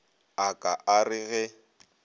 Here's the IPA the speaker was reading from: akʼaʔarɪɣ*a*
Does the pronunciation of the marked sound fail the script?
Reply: yes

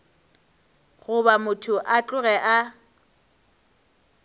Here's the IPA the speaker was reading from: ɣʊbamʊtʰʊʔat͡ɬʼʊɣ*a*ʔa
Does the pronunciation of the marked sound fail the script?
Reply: yes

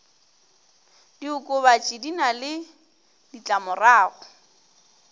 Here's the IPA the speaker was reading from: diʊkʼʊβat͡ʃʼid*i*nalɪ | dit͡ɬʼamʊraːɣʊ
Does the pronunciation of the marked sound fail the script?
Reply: no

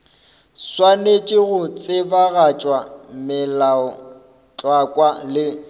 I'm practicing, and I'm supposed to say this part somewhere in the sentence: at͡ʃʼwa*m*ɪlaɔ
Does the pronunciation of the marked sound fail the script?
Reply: no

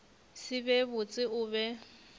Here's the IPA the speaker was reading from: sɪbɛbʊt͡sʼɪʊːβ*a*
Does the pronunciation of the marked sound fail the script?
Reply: yes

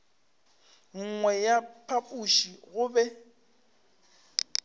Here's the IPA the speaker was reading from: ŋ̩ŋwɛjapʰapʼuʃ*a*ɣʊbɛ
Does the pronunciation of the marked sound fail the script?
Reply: yes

